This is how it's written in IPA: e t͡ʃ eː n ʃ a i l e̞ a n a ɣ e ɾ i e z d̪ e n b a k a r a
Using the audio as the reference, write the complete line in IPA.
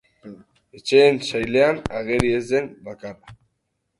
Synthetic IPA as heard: e t͡ʃ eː n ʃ a j l e̞ a n a ɣ e ɾ i e z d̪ e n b a k a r a

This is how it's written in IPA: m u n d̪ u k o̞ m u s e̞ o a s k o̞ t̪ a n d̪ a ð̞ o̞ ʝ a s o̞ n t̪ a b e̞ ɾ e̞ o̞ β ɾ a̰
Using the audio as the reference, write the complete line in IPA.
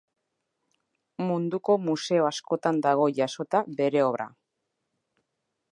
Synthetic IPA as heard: m u n d̪ u k o̞ m u s e̞ o a s k o̞ t̪ a n d̪ a ɣ̞ o̞ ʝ a s o̞ t̪ a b e̞ ɾ e̞ o̞ β ɾ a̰

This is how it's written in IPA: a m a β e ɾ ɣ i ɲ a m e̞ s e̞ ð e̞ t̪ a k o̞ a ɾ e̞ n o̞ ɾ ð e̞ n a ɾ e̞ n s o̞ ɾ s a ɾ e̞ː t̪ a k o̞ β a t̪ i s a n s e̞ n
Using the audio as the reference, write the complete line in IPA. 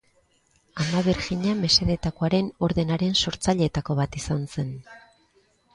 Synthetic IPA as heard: a m a β e ɾ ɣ i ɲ a m e̞ s e̞ ð e̞ t̪ a k o̞ a ɾ e̞ n o̞ ɾ ð e̞ n a ɾ e̞ n s o̞ ɾ t͡s a ʎ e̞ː t̪ a k o̞ β a t̪ i s a n s e̞ n

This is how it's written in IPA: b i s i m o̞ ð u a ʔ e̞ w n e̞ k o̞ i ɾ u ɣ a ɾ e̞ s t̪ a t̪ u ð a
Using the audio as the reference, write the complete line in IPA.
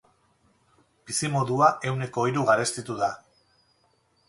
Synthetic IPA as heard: b i s i m o̞ ð u a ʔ e̞ w n e̞ k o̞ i ɾ u ɣ a ɾ e̞ s t̪ i t̪ u ð a

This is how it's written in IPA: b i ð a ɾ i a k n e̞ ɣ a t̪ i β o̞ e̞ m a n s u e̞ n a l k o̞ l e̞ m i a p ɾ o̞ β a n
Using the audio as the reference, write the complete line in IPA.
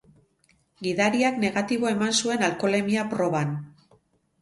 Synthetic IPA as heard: ɡ i ð a ɾ i a k n e̞ ɣ a t̪ i β o̞ e̞ m a n s u e̞ n a l k o̞ l e̞ m i a p ɾ o̞ β a n

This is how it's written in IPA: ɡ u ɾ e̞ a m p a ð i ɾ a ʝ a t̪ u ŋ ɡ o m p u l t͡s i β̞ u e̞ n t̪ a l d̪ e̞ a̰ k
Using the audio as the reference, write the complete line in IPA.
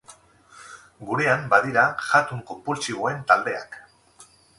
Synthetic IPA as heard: ɡ u ɾ e̞ a m b a ð i ɾ a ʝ a t̪ u ŋ k o m p u l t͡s i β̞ o e̞ n t̪ a l d̪ e̞ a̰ k

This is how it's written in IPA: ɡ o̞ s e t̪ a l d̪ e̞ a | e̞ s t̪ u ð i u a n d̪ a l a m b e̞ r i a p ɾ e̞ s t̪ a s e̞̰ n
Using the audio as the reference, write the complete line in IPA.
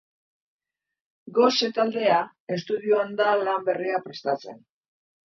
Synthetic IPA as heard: ɡ o̞ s e t̪ a l d̪ e̞ a | e̞ s t̪ u ð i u a n d̪ a l a m b e̞ r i a p ɾ e̞ s t̪ a t͡s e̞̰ n

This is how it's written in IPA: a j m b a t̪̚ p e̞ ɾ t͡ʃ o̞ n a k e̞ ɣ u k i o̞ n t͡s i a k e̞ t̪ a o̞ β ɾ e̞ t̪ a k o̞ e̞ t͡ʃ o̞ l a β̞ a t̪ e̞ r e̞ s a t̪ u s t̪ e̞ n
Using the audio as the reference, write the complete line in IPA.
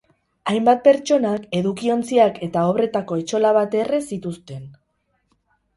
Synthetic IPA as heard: a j m b a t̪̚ p e̞ ɾ t͡ʃ o̞ n a k e̞ ð u k i o̞ n t͡s i a k e̞ t̪ a o̞ β ɾ e̞ t̪ a k o̞ e̞ t͡ʃ o̞ l a β̞ a t̪ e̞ r e̞ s i t̪ u s t̪ e̞ n

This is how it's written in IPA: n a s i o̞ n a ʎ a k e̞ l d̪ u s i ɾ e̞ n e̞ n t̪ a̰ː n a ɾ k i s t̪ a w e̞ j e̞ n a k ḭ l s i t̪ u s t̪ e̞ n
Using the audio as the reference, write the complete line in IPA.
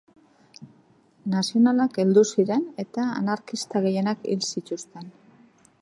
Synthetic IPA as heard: n a s i o̞ n a l a k e̞ l d̪ u s i ɾ e̞ n e̞ t̪ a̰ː n a ɾ k i s t̪ a ɣ e̞ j e̞ n a k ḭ l s i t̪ u s t̪ e̞ n

